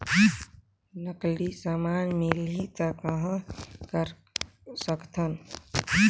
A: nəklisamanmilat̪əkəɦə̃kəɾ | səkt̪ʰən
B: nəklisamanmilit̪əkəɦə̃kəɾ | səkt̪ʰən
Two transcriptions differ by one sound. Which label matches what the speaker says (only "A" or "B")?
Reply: B